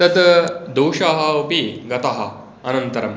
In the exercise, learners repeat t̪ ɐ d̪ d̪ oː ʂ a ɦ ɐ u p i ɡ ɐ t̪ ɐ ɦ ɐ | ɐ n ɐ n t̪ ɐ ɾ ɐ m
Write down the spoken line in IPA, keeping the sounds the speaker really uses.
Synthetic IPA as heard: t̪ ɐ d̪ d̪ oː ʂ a ɦ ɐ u p i ɡ ɐ t̪ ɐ ɦ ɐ | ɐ n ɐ n t̪ ɐ ɾ ɐ m